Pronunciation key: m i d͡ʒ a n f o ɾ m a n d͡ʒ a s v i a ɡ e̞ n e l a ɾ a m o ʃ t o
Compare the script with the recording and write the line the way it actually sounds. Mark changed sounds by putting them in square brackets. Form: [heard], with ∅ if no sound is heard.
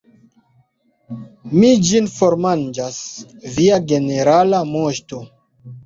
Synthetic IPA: m i d͡ʒ [i] n f o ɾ m a n d͡ʒ a s v i a ɡ e̞ n e [ɾ] a [l] a m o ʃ t o